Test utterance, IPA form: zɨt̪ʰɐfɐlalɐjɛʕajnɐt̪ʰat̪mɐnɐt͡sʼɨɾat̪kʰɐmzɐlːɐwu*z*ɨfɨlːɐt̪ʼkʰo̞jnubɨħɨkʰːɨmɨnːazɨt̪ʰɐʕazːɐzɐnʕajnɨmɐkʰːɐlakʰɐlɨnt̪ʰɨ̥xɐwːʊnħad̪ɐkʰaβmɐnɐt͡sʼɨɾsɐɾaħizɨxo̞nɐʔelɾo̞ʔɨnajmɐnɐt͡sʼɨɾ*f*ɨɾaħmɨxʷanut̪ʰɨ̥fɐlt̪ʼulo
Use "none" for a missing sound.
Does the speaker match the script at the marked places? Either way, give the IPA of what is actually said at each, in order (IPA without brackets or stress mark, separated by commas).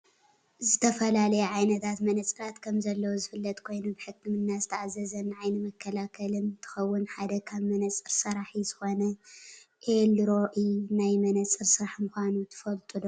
z, s